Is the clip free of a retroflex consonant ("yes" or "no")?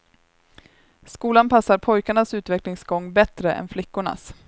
no